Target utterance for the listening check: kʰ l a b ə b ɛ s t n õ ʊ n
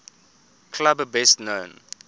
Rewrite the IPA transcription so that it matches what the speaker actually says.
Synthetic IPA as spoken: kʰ l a b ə b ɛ s t n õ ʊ n